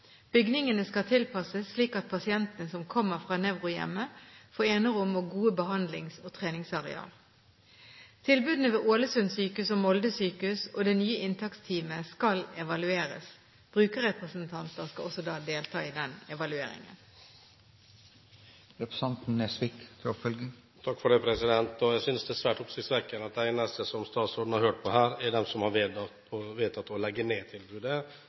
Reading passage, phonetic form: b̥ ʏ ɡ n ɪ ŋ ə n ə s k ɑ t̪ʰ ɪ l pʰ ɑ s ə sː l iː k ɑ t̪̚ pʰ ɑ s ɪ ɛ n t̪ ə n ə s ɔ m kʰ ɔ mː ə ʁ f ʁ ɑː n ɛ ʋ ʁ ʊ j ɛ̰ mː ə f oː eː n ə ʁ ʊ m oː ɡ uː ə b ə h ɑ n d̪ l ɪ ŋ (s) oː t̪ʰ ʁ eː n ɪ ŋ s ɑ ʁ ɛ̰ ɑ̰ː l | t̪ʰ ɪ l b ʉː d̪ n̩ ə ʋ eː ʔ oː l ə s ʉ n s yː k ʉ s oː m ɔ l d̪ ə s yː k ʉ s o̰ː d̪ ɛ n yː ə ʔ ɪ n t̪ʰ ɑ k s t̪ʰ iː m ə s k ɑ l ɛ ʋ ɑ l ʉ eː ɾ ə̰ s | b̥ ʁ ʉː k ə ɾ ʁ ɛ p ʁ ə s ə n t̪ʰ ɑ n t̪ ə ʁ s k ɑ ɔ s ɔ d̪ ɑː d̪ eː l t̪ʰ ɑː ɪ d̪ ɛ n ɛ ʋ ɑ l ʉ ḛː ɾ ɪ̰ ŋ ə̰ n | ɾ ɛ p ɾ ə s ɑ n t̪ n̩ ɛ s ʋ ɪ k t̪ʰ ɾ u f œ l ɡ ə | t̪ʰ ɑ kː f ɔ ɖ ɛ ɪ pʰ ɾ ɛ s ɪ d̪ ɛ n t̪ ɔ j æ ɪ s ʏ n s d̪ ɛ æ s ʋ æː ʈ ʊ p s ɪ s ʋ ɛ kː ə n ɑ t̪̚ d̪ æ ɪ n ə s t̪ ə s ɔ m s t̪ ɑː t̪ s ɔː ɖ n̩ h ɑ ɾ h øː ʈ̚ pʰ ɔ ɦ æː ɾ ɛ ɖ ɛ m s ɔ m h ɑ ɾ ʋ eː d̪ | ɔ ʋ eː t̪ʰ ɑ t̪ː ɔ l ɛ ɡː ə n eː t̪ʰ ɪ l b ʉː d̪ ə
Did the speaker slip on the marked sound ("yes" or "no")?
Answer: no